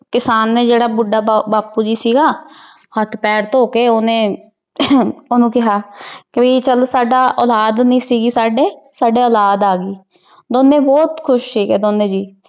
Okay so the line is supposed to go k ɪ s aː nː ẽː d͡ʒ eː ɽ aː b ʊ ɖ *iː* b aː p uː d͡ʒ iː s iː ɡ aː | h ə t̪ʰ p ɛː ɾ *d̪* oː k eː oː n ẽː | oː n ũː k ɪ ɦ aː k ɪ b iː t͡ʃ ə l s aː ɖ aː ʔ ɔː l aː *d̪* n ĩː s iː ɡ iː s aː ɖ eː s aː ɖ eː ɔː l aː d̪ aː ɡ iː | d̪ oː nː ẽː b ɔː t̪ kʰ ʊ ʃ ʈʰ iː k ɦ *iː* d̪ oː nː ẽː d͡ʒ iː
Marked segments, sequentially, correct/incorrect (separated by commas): incorrect, incorrect, correct, incorrect